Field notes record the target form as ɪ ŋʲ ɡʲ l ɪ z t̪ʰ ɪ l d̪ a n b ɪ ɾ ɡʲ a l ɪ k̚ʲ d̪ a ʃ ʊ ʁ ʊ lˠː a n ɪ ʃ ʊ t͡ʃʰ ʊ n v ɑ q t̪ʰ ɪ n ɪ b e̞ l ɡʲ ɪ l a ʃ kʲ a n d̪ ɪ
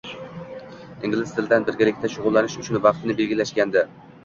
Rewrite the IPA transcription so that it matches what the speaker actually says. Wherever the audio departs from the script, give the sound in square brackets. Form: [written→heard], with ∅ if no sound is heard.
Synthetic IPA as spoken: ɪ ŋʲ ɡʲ l ɪ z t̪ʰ ɪ l d̪ a n b ɪ ɾ ɡʲ a l ɪ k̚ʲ [d̪→t̪] a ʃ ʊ ʁ ʊ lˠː a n ɪ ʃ ʊ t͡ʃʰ ʊ n v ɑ q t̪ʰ ɪ n ɪ b e̞ l ɡʲ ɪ l a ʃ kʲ a n d̪ ɪ